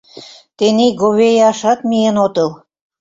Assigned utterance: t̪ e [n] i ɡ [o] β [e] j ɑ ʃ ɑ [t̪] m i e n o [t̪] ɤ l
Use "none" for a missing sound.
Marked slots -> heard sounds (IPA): n, o, e, t̪, t̪

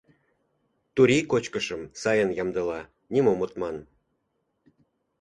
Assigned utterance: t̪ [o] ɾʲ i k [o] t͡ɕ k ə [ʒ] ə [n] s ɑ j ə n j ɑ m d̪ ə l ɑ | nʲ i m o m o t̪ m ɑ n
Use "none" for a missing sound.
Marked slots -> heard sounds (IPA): u, o, ʃ, m

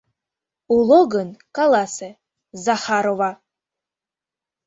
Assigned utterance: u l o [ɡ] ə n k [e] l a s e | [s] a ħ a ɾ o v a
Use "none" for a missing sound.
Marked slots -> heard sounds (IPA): ɡ, a, z

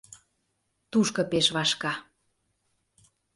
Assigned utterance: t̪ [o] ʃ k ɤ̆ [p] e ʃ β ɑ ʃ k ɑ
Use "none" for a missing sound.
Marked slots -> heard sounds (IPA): u, p

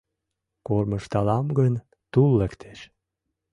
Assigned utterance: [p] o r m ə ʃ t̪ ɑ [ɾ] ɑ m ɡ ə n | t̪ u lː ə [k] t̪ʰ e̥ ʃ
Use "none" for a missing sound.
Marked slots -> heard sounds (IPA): k, l, k

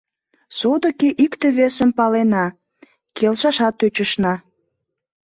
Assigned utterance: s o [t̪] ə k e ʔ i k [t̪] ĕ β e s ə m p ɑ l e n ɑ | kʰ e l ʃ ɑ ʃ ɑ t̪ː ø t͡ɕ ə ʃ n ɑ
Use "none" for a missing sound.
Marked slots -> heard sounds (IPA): d̪, t̪

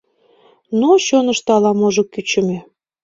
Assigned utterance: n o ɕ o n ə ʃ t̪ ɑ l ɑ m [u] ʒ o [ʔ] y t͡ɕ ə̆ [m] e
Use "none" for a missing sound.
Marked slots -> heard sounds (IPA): o, k, m

